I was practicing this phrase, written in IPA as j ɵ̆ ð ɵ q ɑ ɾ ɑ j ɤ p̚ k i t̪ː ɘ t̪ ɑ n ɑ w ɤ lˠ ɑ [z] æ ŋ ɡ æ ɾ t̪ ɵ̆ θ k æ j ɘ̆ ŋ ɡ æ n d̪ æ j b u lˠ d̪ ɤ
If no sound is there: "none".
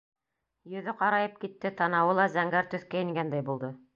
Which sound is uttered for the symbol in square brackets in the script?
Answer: z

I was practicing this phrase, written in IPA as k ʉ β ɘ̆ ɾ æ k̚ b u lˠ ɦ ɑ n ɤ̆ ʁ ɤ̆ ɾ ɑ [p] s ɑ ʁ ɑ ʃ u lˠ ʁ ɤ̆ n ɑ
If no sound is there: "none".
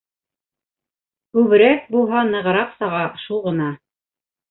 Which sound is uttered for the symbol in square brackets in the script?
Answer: q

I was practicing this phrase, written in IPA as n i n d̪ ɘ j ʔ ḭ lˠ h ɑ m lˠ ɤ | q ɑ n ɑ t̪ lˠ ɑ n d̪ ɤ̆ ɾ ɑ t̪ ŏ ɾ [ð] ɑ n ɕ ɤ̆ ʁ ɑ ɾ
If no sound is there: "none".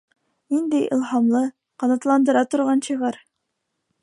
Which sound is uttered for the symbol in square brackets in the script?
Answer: ʁ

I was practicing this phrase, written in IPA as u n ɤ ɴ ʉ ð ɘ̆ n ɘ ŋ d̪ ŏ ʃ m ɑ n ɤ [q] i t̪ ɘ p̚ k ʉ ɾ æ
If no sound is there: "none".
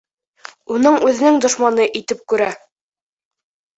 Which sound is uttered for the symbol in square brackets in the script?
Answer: ʔ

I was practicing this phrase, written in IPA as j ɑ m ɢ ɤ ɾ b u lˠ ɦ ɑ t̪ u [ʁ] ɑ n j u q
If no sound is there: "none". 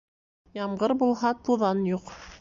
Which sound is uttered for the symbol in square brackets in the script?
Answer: ð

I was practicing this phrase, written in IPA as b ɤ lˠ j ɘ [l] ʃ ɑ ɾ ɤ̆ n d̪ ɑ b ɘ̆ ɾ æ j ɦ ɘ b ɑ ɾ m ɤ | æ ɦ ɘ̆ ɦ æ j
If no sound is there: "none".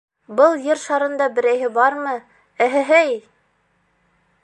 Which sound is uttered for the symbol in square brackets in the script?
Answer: ɾ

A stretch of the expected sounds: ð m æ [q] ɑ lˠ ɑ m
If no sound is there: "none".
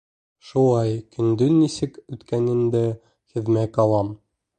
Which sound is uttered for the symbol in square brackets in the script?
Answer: k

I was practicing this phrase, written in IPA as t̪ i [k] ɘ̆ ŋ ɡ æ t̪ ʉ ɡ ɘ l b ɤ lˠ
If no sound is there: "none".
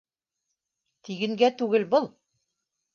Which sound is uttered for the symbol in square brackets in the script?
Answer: ɡ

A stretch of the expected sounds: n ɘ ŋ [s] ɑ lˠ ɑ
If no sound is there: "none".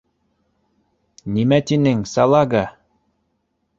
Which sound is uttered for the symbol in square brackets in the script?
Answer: s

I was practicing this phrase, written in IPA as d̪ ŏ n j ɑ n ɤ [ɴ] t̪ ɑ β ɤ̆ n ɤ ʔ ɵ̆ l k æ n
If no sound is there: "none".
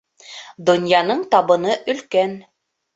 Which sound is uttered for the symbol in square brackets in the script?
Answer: ɴ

